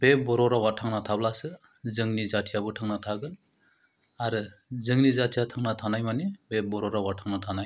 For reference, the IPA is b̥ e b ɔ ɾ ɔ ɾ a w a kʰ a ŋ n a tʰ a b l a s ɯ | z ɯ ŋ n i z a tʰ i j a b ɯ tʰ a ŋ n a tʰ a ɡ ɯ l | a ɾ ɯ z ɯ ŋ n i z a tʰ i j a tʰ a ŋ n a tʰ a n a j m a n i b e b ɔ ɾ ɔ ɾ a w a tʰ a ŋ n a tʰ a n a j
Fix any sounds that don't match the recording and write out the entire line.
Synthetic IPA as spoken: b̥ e b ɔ ɾ ɔ ɾ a w a tʰ a ŋ n a tʰ a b l a s ɯ | z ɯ ŋ n i z a tʰ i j a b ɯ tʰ a ŋ n a tʰ a ɡ ɯ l | a ɾ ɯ z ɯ ŋ n i z a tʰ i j a tʰ a ŋ n a tʰ a n a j m a n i b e b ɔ ɾ ɔ ɾ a w a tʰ a ŋ n a tʰ a n a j